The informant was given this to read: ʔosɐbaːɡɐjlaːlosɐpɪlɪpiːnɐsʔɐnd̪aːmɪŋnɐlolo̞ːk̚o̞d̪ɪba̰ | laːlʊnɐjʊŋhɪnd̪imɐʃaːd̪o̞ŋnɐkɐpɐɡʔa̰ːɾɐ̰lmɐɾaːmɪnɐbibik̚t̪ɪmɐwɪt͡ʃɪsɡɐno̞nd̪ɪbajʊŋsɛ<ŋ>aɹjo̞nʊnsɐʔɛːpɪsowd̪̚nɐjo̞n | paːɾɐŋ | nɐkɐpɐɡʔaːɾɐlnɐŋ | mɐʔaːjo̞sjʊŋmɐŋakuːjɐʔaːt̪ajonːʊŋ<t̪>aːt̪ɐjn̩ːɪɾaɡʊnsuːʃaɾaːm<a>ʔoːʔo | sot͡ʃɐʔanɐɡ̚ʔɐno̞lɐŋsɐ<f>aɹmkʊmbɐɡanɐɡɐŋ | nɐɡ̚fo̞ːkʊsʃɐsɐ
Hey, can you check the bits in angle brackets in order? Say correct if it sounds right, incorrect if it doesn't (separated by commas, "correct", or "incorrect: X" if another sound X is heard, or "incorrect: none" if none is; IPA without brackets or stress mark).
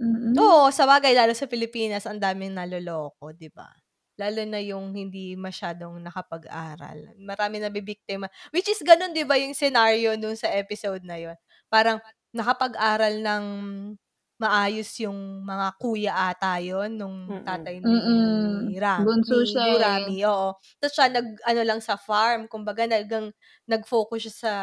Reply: incorrect: n, correct, incorrect: i, correct